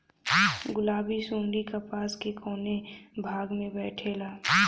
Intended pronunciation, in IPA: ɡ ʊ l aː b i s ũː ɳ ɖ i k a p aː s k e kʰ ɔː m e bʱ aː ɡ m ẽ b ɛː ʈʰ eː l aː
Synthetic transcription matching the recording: ɡ ʊ l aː b i s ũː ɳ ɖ i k a p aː s k e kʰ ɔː n e bʱ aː ɡ m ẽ b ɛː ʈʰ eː l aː

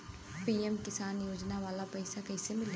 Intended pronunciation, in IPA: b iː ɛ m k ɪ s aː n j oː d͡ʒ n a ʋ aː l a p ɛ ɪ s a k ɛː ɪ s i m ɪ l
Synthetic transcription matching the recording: p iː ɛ m k ɪ s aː n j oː d͡ʒ n a ʋ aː l a p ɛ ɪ s a k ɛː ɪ s e m ɪ l

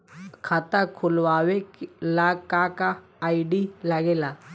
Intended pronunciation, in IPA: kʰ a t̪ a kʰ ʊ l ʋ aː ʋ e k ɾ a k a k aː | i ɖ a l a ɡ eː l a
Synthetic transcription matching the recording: kʰ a t̪ a kʰ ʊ l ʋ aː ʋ e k l a k a k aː | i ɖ i l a ɡ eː l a

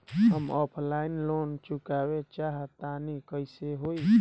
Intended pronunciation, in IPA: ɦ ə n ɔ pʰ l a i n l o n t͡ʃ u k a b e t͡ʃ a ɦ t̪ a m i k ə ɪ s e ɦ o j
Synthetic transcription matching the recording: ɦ ə m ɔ pʰ l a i n l o n t͡ʃ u k a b e t͡ʃ a ɦ t̪ a n i k ə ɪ s e ɦ o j

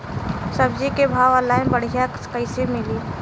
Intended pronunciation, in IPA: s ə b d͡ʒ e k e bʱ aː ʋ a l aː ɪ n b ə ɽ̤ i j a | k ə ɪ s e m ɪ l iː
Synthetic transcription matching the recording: s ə b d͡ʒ i k e bʱ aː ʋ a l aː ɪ n b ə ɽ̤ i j a | k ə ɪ s e m ɪ l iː

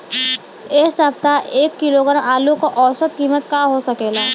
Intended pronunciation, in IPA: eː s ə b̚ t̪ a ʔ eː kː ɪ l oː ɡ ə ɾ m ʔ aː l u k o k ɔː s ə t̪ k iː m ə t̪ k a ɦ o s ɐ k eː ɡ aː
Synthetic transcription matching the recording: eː s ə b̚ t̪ a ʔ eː kː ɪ l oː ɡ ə ɾ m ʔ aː l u k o ʔ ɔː s ə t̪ k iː m ə t̪ k a ɦ o s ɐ k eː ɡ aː

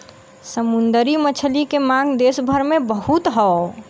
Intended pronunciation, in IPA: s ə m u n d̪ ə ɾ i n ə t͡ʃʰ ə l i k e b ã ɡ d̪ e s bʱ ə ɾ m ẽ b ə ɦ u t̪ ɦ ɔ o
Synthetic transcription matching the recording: s ə m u n d̪ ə ɾ i m ə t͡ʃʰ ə l i k e m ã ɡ d̪ e s bʱ ə ɾ m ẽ b ə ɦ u t̪ ɦ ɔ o

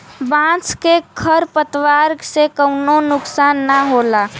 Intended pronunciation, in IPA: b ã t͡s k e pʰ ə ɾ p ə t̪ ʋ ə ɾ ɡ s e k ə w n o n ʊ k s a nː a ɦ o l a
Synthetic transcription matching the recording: b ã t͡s k e kʰ ə ɾ p ə t̪ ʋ a ɾ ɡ s e k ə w n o n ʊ k s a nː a ɦ o l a

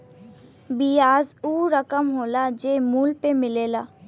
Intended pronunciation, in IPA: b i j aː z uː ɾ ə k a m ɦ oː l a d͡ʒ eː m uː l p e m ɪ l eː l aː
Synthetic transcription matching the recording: b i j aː z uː ɾ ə k ə m ɦ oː l a d͡ʒ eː m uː l p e m ɪ l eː l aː

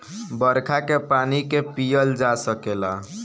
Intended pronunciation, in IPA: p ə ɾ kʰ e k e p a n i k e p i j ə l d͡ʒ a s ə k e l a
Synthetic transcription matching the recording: b ə ɾ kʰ a k e p a n i k e p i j ə l d͡ʒ a s ə k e l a

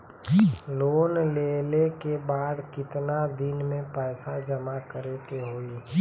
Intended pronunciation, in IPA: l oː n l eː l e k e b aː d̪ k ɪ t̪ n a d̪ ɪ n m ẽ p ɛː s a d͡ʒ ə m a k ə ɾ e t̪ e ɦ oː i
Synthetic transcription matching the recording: l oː n l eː l e k e b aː d̪ k ɪ t̪ n a d̪ ɪ n m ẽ p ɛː s a d͡ʒ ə m a k ə ɾ e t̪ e ɦ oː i

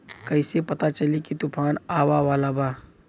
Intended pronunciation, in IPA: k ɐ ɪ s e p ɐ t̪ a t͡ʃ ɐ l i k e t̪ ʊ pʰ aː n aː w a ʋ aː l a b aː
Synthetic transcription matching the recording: k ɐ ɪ s e p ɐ t̪ a t͡ʃ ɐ l i k i t̪ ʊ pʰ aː n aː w a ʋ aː l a b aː

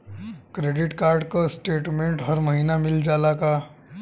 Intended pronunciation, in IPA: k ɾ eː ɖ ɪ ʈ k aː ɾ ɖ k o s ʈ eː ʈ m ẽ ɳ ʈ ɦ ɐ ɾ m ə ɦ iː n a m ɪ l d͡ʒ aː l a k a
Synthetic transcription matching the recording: k ɾ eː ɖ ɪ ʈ k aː ɾ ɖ k o s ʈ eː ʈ m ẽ ɳ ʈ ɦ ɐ ɾ m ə ɦ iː n a m ɪ l d͡ʒ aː l a k a

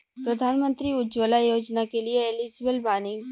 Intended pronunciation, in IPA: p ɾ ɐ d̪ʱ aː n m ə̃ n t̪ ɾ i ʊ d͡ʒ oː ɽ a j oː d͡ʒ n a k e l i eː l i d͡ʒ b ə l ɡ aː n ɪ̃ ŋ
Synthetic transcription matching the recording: p ɾ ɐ d̪ʱ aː n m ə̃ n t̪ ɾ i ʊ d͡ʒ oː l a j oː d͡ʒ n a k e l i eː l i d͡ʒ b ə l b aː n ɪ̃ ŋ

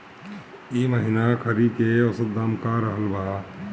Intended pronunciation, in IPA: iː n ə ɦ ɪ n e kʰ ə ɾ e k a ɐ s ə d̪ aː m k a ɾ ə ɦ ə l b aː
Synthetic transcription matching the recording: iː m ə ɦ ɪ n a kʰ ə ɾ i k e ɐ s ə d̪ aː m k a ɾ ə ɦ ə l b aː

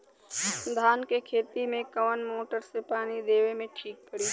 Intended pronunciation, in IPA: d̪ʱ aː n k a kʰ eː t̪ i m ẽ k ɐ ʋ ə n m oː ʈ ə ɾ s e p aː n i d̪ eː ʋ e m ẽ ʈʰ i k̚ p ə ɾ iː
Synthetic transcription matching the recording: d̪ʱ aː n k e kʰ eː t̪ i m ẽ k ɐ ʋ ə n m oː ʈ ə ɾ s e p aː n i d̪ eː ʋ e m ẽ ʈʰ iː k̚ p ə ɽ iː

